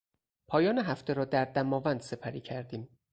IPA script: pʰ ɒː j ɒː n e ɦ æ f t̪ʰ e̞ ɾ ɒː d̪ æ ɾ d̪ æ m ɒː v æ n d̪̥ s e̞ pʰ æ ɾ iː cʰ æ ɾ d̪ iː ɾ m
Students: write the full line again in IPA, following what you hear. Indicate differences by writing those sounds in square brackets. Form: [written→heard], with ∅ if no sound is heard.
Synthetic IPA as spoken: pʰ ɒː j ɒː n e ɦ æ f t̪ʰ e̞ ɾ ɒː d̪ æ ɾ d̪ æ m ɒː v æ n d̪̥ s e̞ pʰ æ ɾ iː cʰ æ ɾ d̪ iː [ɾ→∅] m

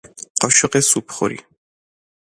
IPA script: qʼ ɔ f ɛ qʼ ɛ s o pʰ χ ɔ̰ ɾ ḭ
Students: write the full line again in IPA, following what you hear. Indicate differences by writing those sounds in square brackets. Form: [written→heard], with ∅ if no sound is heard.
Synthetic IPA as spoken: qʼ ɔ [f→ʃ] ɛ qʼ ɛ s [o→u] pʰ χ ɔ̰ ɾ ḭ

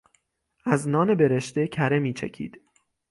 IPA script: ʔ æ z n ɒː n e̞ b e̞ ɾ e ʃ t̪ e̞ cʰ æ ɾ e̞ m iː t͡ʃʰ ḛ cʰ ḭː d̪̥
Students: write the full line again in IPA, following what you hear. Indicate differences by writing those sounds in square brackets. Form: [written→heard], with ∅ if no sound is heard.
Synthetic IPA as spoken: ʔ æ z n ɒː n e̞ b e̞ ɾ e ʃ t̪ e̞ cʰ æ ɾ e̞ m iː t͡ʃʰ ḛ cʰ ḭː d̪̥

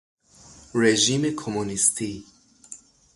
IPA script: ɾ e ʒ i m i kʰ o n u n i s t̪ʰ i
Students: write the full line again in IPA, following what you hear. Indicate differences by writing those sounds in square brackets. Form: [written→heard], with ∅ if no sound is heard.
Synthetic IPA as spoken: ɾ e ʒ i m [i→e] kʰ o [n→m] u n i s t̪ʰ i

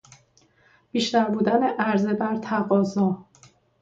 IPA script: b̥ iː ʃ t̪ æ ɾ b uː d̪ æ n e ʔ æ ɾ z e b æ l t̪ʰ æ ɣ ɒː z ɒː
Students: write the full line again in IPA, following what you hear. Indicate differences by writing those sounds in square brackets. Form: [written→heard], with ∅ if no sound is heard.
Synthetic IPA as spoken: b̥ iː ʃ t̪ æ ɾ b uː d̪ æ n e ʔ æ ɾ z e b æ [l→ɾ] t̪ʰ æ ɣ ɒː z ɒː

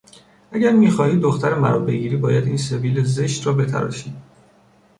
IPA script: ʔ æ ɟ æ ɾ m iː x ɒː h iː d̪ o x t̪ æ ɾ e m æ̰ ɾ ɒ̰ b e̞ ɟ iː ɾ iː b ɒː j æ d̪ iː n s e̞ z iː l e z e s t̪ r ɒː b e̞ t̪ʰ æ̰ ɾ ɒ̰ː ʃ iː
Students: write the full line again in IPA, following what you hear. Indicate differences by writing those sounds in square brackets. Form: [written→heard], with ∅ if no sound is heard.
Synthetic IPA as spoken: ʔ æ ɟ æ ɾ m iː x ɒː h iː d̪ o x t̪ æ ɾ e m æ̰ ɾ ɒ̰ b e̞ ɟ iː ɾ iː b ɒː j æ d̪ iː n s e̞ [z→v] iː l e z e [s→ʃ] t̪ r ɒː b e̞ t̪ʰ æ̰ ɾ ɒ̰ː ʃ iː

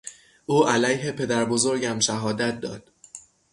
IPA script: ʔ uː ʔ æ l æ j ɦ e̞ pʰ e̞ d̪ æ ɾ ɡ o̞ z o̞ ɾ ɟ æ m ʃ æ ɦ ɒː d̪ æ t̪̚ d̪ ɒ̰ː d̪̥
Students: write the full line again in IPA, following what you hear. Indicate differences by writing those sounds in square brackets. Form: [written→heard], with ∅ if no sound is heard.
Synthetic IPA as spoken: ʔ uː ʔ æ l æ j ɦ e̞ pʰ e̞ d̪ æ ɾ [ɡ→b] o̞ z o̞ ɾ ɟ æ m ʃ æ ɦ ɒː d̪ æ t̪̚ d̪ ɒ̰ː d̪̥

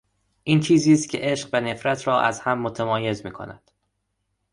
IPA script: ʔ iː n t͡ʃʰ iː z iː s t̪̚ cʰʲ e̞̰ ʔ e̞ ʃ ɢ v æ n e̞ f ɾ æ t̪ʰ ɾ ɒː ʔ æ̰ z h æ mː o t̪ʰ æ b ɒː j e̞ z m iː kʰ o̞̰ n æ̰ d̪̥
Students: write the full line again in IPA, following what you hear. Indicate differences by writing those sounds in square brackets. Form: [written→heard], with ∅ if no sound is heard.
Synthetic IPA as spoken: ʔ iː n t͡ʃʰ iː z iː s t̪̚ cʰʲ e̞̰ ʔ e̞ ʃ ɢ v æ n e̞ f ɾ æ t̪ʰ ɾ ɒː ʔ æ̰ z h æ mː o t̪ʰ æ [b→m] ɒː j e̞ z m iː kʰ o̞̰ n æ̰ d̪̥

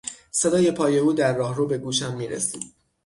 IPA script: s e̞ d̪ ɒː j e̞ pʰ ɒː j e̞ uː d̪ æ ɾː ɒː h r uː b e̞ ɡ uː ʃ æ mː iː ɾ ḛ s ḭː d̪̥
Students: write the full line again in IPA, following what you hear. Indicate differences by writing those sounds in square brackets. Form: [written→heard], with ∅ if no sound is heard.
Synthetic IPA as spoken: s e̞ d̪ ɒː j e̞ pʰ ɒː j e̞ uː d̪ æ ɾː ɒː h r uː b e̞ ɡ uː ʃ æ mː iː ɾ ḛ s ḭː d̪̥

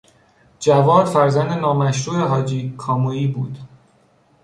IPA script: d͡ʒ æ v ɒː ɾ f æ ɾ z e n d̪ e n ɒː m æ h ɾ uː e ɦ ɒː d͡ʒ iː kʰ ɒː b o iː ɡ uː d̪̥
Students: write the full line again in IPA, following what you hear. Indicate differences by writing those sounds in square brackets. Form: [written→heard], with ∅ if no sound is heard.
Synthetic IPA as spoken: d͡ʒ æ v ɒː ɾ f æ ɾ z [e→æ] n d̪ e n ɒː m æ [h→ʃ] ɾ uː e ɦ ɒː d͡ʒ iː kʰ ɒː [b→m] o iː [ɡ→b] uː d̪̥

